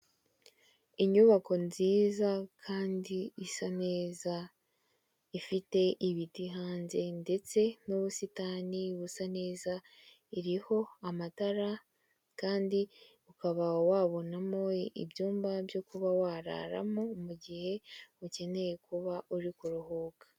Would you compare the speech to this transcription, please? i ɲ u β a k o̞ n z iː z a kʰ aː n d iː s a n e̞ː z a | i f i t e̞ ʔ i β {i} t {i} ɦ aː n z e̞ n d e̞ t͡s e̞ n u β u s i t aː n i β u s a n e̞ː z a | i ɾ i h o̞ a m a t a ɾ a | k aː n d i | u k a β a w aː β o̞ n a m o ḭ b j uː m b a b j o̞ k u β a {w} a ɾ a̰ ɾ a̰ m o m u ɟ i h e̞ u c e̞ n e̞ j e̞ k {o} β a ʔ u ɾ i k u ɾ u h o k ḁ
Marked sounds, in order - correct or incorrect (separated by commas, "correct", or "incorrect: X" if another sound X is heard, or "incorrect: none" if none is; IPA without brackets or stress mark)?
correct, correct, correct, incorrect: u